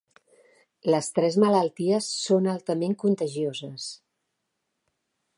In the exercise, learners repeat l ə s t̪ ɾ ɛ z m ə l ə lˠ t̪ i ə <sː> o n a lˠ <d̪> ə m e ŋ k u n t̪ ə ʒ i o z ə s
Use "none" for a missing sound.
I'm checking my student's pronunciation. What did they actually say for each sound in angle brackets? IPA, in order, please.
sː, t̪

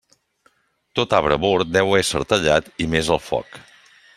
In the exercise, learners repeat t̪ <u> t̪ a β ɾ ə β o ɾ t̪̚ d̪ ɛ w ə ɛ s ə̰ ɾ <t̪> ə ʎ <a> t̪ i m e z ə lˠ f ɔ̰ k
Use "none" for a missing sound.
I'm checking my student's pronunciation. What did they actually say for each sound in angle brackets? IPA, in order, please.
o, t̪, a

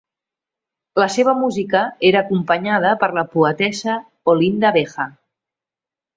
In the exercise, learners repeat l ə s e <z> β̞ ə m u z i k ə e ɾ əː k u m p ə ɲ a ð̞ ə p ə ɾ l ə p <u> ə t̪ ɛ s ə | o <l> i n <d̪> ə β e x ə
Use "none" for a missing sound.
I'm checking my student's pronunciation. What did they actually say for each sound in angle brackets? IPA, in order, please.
none, u, l, d̪

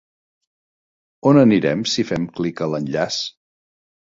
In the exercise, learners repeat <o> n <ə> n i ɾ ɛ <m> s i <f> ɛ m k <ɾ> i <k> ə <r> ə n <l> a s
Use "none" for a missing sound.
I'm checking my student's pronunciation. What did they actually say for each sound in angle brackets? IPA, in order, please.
o, ə, m, f, l, k, l, ʎ

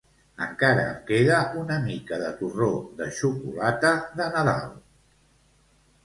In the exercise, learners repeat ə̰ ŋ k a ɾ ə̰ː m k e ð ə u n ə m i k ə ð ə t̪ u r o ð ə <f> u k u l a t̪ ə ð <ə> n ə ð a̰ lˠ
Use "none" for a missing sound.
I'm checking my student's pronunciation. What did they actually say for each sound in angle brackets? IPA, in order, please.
ʃ, ə

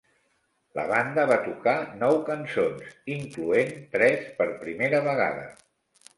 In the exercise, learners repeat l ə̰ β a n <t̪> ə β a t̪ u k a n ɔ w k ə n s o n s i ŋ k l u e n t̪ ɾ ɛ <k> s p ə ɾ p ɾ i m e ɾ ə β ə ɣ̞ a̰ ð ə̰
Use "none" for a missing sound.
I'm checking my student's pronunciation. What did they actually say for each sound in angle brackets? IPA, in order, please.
d̪, none

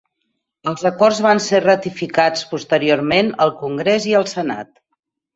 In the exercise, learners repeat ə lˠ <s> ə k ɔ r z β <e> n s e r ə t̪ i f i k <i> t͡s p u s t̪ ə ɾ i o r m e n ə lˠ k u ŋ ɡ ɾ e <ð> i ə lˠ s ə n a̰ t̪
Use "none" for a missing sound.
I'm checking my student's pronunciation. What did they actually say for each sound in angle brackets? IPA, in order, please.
z, a, a, z

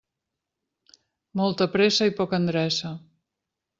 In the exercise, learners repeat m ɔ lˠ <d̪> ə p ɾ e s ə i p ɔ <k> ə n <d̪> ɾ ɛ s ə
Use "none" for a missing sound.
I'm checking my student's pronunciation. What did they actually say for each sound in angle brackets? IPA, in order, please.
t̪, k, d̪

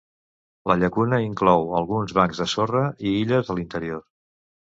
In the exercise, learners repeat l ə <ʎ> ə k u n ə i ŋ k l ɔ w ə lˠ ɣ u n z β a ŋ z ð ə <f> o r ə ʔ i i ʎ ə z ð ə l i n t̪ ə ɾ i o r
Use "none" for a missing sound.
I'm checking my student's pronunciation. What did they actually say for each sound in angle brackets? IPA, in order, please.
ʎ, s

